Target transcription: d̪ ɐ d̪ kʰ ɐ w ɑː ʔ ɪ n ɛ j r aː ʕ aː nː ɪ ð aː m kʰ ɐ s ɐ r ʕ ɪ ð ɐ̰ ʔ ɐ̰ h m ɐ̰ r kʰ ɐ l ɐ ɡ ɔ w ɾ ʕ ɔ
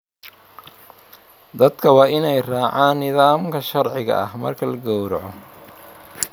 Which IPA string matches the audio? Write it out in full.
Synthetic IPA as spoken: d̪ ɐ d̪ kʰ ɐ w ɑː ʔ ɪ n ɛ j r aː ʕ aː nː ɪ ð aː m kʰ ɐ ʃ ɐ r ʕ ɪ ɣ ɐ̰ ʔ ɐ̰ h m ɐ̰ r kʰ ɐ l ɐ ɡ ɔ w ɾ ʕ ɔ